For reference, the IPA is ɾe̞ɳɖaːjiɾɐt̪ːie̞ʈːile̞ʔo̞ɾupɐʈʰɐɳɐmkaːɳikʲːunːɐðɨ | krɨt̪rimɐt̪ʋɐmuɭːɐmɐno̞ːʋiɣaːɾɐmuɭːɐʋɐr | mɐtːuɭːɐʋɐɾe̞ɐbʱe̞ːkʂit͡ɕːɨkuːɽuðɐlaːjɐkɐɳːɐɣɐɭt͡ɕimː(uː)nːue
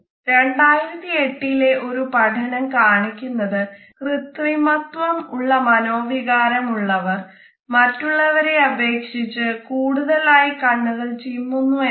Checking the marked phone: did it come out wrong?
yes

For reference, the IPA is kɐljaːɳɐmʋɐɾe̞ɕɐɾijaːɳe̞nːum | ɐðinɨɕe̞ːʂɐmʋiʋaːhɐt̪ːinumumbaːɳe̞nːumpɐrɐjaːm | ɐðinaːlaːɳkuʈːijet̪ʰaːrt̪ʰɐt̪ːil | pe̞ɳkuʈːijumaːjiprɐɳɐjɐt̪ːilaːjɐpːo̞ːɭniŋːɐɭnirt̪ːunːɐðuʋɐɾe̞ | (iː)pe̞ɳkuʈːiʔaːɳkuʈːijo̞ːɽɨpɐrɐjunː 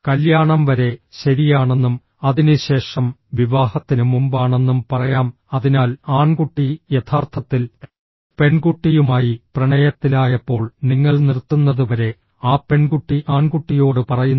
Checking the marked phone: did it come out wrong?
yes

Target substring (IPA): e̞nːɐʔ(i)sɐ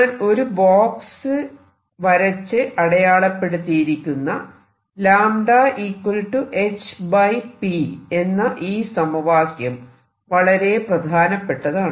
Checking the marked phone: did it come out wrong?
yes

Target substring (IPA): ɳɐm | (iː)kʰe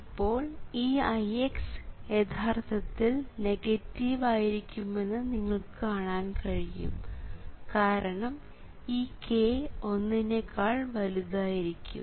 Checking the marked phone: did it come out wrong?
no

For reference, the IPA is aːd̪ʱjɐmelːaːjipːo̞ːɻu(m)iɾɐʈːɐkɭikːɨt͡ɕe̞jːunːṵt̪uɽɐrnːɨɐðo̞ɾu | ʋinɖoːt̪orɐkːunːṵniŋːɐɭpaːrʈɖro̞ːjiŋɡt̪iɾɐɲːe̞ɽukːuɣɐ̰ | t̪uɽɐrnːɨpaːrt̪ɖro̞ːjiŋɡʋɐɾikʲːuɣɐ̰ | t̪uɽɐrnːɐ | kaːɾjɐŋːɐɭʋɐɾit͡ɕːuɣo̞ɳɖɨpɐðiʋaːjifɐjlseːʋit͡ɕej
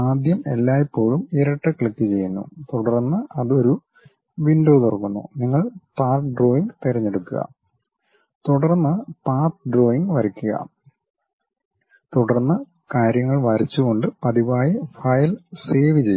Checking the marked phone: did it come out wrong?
no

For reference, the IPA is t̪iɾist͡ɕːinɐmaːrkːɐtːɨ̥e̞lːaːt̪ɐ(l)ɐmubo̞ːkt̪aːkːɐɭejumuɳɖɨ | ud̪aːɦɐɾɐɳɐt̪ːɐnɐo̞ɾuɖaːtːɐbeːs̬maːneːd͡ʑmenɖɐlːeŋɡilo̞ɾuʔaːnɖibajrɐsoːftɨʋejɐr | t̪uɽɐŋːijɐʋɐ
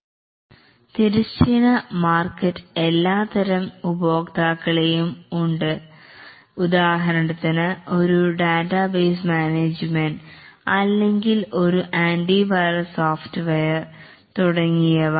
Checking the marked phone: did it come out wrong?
yes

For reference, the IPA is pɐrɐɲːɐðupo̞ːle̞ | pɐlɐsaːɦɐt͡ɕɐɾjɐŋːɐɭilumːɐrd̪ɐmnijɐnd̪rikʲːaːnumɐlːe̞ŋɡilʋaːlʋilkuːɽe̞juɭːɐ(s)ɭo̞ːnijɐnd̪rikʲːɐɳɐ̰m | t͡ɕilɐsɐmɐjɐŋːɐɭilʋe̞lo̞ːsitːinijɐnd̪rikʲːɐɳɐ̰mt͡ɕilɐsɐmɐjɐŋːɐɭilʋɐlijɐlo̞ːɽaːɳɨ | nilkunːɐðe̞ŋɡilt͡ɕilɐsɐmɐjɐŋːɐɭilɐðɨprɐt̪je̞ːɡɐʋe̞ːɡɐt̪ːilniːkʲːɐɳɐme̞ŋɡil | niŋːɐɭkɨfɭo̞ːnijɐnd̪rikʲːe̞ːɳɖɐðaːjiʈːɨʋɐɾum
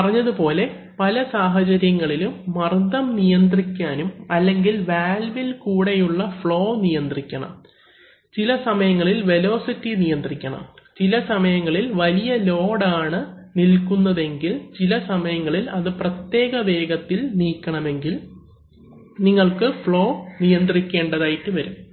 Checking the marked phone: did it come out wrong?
yes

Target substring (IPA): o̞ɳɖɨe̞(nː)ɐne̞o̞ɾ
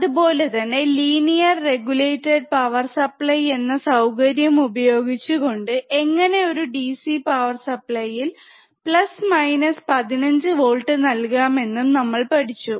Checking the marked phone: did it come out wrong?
yes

